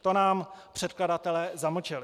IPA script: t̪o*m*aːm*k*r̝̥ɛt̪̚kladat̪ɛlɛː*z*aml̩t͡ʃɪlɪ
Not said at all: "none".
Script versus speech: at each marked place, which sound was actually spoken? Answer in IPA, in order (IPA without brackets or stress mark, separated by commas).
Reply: n, p, z